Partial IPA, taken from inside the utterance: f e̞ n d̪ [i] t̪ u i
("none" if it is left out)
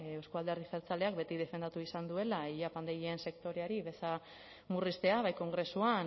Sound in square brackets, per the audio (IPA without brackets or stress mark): a